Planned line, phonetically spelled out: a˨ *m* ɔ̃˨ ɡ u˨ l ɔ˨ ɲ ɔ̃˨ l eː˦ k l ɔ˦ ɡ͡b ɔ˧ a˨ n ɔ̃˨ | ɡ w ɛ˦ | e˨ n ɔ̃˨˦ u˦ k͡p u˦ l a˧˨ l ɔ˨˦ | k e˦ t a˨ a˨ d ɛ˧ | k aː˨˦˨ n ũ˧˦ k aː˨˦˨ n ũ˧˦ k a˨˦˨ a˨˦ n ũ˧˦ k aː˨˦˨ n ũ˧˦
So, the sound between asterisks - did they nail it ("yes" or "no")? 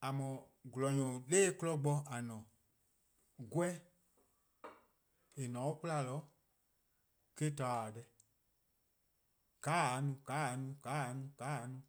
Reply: yes